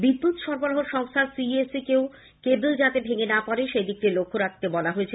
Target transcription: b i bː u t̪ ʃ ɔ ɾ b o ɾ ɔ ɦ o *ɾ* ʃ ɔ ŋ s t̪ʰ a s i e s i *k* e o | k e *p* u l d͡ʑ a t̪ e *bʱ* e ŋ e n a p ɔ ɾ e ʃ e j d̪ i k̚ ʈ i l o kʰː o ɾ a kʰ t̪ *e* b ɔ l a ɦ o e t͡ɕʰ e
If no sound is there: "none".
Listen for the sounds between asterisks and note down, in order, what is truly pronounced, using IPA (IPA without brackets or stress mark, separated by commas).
ɾ, k, b, bʱ, e